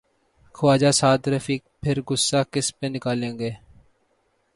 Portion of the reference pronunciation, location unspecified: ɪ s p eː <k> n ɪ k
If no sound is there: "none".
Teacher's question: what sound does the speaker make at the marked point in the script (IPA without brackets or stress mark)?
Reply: none